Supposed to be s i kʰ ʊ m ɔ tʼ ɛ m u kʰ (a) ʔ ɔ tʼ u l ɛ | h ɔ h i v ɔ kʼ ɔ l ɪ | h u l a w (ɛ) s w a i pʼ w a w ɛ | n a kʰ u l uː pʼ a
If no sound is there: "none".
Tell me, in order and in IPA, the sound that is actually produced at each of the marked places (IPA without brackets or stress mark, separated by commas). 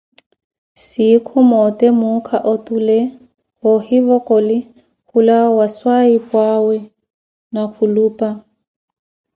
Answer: a, a